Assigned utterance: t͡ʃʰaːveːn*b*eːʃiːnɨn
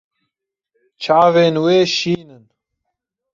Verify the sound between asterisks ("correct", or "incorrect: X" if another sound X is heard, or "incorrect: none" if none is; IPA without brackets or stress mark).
incorrect: w